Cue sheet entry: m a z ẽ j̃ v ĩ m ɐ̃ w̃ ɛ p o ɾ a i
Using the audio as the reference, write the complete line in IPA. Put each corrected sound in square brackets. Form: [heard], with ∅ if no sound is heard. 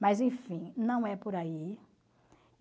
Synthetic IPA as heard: m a z ẽ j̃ [f] ĩ [n] ɐ̃ w̃ ɛ p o ɾ a i